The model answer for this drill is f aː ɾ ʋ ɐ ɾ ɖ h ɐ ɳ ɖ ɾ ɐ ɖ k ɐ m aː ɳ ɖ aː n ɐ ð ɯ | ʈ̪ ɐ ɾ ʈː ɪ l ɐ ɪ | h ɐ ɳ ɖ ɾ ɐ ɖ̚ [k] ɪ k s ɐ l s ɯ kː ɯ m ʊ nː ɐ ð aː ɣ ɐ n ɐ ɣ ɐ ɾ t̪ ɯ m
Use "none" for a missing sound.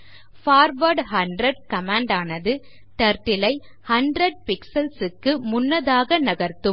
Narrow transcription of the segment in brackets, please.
p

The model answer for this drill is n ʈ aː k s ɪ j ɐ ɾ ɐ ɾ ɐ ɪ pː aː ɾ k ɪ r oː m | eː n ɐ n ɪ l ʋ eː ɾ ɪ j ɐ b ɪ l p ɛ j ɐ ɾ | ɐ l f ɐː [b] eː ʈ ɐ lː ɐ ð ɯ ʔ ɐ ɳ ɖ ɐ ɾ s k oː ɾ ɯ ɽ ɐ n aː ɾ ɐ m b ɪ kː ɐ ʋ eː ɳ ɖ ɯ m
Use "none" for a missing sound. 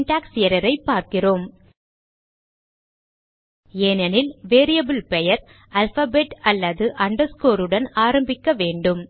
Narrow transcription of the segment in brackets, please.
b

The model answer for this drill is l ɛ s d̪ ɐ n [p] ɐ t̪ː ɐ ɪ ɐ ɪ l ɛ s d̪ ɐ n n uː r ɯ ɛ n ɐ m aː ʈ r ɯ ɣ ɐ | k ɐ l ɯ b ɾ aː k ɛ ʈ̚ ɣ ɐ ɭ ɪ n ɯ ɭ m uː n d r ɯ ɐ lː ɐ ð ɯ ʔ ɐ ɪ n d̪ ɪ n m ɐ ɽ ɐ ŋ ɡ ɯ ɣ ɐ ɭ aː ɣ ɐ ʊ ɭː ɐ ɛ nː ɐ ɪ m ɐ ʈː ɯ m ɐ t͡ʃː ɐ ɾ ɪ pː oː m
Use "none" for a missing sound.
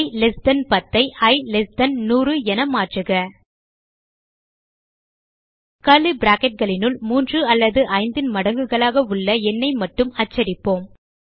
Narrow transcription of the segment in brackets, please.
p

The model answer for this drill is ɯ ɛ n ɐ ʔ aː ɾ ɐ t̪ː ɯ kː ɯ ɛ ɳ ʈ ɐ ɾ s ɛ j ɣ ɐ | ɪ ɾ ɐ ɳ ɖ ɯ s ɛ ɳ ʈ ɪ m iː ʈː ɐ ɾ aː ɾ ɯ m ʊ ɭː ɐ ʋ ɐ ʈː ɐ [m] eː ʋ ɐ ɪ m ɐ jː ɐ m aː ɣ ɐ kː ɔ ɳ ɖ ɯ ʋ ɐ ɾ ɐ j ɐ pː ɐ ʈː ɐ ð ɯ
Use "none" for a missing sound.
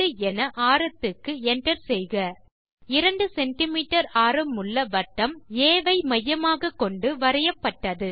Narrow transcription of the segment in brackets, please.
m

